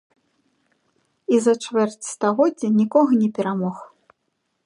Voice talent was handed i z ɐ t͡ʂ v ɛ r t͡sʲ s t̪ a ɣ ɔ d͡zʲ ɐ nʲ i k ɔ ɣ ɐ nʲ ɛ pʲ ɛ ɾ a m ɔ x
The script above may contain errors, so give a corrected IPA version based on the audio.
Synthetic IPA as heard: i z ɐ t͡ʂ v ɛ r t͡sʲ s t̪ a ɣ ɔ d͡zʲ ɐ nʲ i k ɔ ɣ ɐ nʲ ɛ pʲ ɛ ɾ a m ɔ x